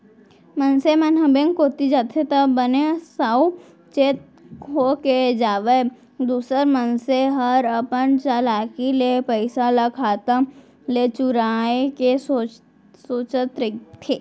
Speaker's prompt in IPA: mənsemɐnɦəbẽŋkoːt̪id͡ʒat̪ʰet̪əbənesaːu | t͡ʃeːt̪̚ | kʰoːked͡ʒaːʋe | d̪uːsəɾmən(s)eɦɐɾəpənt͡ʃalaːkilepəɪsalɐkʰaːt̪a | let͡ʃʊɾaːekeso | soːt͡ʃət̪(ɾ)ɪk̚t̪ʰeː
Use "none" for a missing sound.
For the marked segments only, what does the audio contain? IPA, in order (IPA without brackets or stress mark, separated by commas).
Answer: s, ɾ